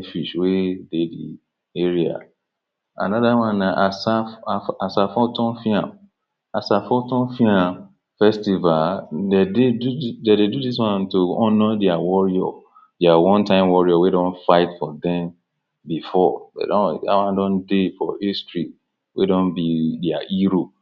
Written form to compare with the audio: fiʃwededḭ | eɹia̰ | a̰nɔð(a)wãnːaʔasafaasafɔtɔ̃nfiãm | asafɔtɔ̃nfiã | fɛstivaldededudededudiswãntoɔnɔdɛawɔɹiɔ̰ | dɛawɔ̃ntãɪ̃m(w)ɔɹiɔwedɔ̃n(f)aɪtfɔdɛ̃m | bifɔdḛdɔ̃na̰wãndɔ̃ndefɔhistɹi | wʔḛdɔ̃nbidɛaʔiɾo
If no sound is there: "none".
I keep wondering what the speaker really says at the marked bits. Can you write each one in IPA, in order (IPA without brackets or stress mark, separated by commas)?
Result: a, w, f